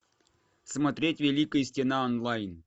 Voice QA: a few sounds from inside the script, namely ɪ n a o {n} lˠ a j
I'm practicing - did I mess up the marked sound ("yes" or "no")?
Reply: no